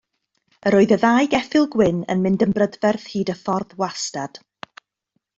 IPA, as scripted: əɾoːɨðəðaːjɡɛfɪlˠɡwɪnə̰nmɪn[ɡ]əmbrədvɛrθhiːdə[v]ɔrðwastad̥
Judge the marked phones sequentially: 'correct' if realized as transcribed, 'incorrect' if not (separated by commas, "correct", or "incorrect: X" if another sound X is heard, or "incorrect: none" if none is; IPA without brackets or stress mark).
incorrect: d, incorrect: f